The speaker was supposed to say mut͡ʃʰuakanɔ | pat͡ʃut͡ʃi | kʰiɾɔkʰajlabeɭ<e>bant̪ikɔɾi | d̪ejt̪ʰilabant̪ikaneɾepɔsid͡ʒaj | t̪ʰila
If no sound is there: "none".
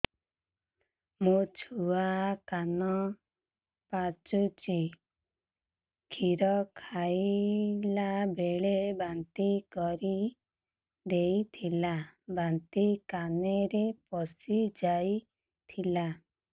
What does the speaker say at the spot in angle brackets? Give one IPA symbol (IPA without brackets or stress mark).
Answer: e